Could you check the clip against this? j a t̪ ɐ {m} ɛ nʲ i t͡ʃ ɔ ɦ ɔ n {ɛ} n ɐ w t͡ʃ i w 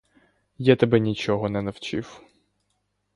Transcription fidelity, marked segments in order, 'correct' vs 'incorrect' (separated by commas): incorrect, correct